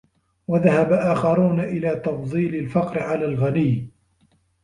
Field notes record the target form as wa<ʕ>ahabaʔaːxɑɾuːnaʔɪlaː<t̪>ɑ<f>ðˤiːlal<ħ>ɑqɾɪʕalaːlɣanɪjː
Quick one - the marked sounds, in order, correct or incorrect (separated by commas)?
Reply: incorrect, correct, correct, incorrect